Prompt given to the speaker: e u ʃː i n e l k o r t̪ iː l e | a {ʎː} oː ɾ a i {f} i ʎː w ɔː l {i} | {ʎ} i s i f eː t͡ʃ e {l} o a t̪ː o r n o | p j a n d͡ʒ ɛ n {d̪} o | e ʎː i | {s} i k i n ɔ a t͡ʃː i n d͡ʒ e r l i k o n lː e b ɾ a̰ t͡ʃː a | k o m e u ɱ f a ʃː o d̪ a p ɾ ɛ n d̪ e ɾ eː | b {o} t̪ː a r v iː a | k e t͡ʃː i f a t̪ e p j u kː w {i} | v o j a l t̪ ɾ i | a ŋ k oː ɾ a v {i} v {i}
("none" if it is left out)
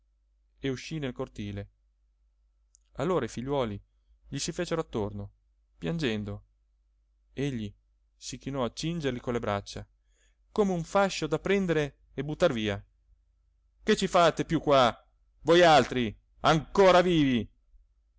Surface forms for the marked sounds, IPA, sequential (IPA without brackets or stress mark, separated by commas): lː, f, i, ʎ, ɾ, d̪, s, u, a, iː, i